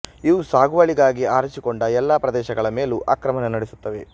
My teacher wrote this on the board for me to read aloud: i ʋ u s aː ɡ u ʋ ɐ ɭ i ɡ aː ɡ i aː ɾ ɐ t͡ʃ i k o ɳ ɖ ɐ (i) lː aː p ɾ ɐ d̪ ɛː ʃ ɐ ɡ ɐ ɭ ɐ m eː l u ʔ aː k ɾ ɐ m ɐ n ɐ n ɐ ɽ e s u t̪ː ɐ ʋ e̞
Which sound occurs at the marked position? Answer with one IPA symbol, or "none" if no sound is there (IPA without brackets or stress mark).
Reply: ɛ